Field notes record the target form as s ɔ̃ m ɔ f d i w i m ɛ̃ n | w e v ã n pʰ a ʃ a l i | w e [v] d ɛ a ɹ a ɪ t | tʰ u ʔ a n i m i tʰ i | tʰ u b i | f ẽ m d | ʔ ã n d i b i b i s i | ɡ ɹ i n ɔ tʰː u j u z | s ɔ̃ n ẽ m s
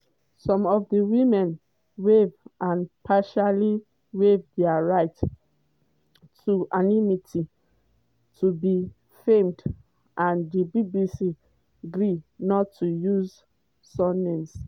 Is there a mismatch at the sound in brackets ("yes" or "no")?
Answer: no